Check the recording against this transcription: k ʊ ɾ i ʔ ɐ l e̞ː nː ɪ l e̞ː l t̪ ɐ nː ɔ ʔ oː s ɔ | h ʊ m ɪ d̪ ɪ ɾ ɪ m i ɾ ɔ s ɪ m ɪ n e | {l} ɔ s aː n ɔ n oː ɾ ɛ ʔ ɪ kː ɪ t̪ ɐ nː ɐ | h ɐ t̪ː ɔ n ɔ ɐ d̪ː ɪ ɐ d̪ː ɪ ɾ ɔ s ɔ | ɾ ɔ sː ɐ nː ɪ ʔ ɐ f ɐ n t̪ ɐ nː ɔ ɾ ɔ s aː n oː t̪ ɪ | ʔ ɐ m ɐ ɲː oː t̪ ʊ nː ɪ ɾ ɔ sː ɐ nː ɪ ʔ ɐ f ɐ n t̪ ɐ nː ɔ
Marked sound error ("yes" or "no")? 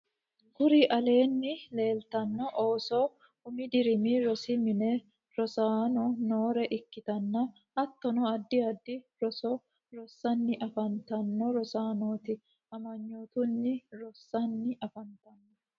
yes